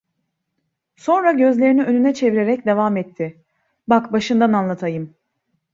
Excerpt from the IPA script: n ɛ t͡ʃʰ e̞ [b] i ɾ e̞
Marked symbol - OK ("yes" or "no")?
no